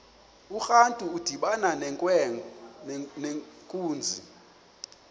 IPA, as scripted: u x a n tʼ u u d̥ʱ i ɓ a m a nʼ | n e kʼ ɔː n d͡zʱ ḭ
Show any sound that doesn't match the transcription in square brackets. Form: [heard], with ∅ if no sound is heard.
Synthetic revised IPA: u x a n tʼ u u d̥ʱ i ɓ a [n] a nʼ | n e kʼ [uː] n d͡zʱ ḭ